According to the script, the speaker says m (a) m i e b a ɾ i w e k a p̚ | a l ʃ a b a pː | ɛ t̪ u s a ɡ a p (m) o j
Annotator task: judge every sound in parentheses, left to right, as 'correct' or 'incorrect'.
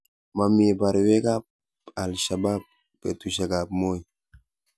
correct, correct

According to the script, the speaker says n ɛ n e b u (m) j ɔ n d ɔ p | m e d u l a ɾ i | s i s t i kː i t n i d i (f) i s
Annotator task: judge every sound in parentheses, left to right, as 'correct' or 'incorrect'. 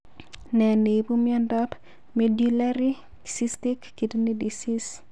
correct, incorrect: s

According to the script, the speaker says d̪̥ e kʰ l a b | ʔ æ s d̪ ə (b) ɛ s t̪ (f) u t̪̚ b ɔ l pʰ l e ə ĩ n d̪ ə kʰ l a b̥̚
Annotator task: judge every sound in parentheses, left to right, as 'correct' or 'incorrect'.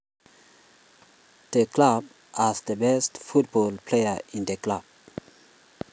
correct, correct

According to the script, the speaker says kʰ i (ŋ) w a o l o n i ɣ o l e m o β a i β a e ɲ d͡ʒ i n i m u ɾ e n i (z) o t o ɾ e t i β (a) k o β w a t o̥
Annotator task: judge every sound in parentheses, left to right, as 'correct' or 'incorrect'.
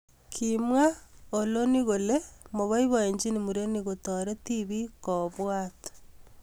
incorrect: m, incorrect: ɣ, incorrect: i

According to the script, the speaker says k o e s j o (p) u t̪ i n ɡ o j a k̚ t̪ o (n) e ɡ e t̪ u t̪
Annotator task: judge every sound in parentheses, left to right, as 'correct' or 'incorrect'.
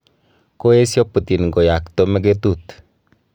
correct, incorrect: m

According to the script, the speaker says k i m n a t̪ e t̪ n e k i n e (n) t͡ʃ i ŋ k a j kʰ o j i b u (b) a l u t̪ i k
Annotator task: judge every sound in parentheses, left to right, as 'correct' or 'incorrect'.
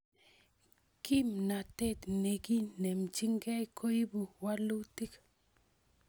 incorrect: m, incorrect: w

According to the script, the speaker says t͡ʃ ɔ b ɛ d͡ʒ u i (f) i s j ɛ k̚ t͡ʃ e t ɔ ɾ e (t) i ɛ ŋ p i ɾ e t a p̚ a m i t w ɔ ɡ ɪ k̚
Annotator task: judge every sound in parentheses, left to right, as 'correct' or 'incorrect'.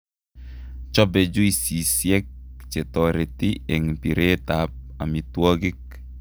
incorrect: s, correct

